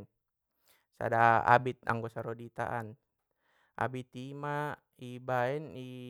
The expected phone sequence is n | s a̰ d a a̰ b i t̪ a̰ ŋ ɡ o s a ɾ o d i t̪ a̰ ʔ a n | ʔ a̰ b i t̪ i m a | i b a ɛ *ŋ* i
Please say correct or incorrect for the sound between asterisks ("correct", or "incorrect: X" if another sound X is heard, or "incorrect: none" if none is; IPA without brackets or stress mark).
incorrect: n